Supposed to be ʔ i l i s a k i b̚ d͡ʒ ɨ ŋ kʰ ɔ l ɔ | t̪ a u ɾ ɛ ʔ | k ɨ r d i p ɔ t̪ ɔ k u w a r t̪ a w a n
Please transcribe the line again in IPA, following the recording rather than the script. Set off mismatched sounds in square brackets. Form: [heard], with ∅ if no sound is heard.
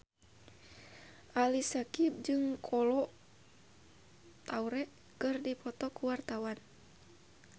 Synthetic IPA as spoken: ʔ [a] l i s a k i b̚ d͡ʒ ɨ ŋ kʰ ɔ l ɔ | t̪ a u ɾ ɛ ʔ | k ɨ r d i p ɔ t̪ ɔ k u w a r t̪ a w a n